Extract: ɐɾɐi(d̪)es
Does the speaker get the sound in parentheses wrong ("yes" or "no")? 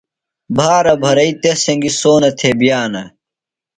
yes